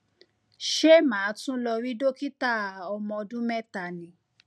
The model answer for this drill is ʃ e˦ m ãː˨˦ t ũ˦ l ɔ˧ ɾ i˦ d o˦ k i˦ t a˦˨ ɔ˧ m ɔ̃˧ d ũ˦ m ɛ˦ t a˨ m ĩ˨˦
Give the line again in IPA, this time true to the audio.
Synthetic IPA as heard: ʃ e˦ m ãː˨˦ t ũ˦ l ɔ˧ ɾ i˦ d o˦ k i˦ t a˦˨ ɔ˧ m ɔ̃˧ d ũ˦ m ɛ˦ t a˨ n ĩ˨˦